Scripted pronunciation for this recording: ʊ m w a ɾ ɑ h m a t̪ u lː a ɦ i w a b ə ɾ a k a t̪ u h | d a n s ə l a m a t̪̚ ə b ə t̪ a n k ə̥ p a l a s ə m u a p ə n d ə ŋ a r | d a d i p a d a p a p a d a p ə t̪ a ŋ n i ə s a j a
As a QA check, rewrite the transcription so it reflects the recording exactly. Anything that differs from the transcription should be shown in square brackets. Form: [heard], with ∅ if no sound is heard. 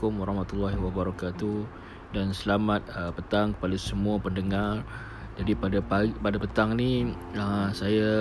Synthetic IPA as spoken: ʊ m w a ɾ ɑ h m a t̪ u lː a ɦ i w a b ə ɾ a k a t̪ u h | d a n s ə l a m a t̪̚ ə [p] ə t̪ a [ŋ] k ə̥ p a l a s ə m u a p ə n d ə ŋ a r | [d͡ʒ] a d i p a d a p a p a d a p ə t̪ a ŋ n i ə s a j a